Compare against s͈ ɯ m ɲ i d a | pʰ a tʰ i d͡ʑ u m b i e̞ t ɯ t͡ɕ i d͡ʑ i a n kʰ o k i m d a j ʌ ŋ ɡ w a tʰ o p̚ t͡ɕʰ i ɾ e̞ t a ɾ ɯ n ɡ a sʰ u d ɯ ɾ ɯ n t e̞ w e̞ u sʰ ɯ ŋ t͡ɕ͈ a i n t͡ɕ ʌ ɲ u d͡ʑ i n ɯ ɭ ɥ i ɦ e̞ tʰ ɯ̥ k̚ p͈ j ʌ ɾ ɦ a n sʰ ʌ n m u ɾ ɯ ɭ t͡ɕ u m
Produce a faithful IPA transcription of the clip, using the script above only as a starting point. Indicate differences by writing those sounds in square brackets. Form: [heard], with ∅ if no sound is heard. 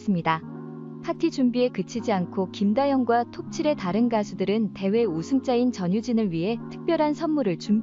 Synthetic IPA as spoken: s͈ ɯ m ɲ i d a | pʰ a tʰ i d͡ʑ u m b i e̞ [k] ɯ [t͡ɕʰ] i d͡ʑ i a n kʰ o k i m d a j ʌ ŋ ɡ w a tʰ o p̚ t͡ɕʰ i ɾ e̞ t a ɾ ɯ n ɡ a sʰ u d ɯ ɾ ɯ n t e̞ w e̞ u sʰ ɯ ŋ t͡ɕ͈ a i n t͡ɕ ʌ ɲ u d͡ʑ i n ɯ ɭ ɥ i ɦ e̞ tʰ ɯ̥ k̚ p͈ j ʌ ɾ ɦ a n sʰ ʌ n m u ɾ ɯ ɭ t͡ɕ u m

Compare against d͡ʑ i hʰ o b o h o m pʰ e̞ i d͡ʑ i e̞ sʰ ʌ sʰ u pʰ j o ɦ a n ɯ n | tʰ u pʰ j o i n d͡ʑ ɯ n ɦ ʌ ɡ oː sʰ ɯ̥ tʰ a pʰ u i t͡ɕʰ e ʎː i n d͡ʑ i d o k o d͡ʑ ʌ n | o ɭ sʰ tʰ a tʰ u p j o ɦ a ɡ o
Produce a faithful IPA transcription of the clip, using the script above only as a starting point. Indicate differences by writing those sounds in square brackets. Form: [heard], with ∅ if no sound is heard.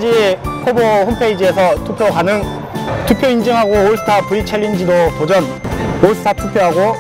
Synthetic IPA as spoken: d͡ʑ i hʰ o b o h o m pʰ e̞ i d͡ʑ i e̞ sʰ ʌ [tʰ] u pʰ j o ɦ a n ɯ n | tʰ u pʰ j o i n d͡ʑ ɯ [ŋ] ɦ [a] ɡ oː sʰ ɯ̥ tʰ a [p] u i t͡ɕʰ e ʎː i n d͡ʑ i d o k o d͡ʑ ʌ n | o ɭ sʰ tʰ a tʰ u [pʰ] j o ɦ a ɡ o

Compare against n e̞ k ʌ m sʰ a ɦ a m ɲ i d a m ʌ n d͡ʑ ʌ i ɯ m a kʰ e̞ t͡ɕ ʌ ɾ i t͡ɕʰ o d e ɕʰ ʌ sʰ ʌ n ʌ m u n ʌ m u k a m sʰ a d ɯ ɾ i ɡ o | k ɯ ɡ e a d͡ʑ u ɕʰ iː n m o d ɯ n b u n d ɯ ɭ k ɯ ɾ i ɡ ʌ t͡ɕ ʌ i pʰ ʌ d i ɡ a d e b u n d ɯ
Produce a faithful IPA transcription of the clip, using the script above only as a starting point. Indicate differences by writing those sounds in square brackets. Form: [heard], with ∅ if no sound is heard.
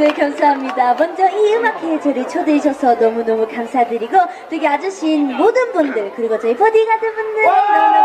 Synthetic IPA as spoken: n e̞ k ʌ m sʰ a ɦ a m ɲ i d a m ʌ n d͡ʑ ʌ i ɯ m a kʰ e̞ t͡ɕ ʌ ɾ i t͡ɕʰ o d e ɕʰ ʌ sʰ ʌ n ʌ m u n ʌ m u k a m sʰ a d ɯ ɾ i ɡ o | [t] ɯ ɡ e a d͡ʑ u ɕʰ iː n m o d ɯ n b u n d ɯ ɭ k ɯ ɾ i ɡ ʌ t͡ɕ ʌ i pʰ ʌ d i ɡ a d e b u n d ɯ

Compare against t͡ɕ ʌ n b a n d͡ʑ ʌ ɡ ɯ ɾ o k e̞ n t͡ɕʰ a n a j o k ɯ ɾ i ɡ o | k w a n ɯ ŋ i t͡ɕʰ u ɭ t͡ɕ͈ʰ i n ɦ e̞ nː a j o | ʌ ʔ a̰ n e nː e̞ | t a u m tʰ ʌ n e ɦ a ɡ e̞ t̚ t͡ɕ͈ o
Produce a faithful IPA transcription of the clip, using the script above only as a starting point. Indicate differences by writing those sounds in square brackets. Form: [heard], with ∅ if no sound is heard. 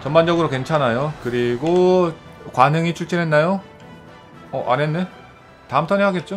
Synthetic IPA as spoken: t͡ɕ ʌ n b a n d͡ʑ ʌ ɡ ɯ ɾ o k e̞ n t͡ɕʰ a n a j o k ɯ ɾ i ɡ o | k w a n ɯ ŋ i t͡ɕʰ u ɭ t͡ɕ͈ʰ i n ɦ e̞ nː a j o | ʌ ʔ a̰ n e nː e̞ | t a [ɯ] m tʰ ʌ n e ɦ a ɡ e̞ t̚ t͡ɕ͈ o

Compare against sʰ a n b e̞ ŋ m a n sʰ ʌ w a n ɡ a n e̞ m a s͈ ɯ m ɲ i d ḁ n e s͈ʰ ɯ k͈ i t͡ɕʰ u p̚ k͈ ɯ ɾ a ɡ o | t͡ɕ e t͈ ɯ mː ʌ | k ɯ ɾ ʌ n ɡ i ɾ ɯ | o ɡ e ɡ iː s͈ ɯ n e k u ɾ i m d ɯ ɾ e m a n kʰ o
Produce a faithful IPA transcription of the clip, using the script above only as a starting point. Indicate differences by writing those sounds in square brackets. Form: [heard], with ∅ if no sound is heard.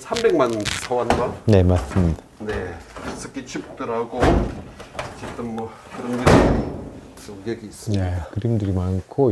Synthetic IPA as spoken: sʰ a [m] b e̞ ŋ m a n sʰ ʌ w a n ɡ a n e̞ m a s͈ ɯ m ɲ i d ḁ n e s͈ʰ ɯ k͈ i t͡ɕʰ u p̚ [t͈] ɯ ɾ a ɡ o | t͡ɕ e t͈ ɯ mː ʌ | k ɯ ɾ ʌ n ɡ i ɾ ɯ | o ɡ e ɡ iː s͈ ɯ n e k [ɯ] ɾ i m d ɯ ɾ [i] m a n kʰ o

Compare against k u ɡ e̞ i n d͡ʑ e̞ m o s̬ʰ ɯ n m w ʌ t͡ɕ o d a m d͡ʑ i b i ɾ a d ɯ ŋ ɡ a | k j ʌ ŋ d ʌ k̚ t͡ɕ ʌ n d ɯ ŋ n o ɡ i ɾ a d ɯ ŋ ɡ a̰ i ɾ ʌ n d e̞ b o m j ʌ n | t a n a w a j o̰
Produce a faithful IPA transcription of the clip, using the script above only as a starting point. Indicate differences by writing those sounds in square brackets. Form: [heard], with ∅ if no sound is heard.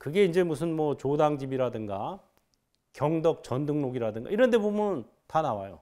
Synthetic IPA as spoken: k [ɯ] ɡ e̞ i n d͡ʑ e̞ m [u] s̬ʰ ɯ n m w ʌ t͡ɕ o d a [ŋ] d͡ʑ i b i ɾ a d ɯ ŋ ɡ a | k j ʌ ŋ d ʌ k̚ t͡ɕ ʌ n d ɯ ŋ n o ɡ i ɾ a d ɯ ŋ ɡ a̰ i ɾ ʌ n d e̞ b o m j ʌ n | t a n a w a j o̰

